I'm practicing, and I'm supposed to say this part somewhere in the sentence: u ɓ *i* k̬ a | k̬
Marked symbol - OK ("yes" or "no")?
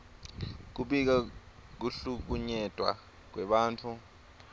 yes